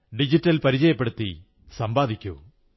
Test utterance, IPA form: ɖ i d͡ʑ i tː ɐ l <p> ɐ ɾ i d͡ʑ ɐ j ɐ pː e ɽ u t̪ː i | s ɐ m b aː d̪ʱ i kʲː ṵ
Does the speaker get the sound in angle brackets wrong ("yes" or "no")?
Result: no